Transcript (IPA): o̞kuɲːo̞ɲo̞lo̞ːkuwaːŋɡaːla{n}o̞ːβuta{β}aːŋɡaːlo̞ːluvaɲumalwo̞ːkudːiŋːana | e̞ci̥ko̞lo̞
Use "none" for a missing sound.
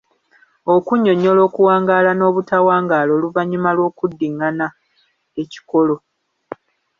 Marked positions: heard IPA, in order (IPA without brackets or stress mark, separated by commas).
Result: n, w